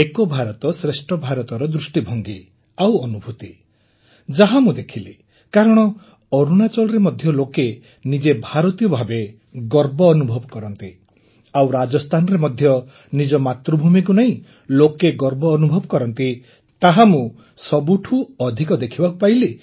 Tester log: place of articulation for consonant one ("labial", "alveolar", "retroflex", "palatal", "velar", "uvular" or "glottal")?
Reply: velar